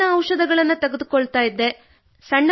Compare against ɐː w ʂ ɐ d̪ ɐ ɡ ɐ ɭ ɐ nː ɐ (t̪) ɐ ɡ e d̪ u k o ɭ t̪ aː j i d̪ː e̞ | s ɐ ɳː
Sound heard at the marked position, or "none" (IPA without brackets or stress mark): t̪